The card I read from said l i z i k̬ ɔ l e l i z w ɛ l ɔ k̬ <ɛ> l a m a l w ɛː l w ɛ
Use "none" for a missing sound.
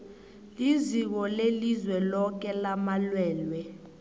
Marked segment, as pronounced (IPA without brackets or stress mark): ɛ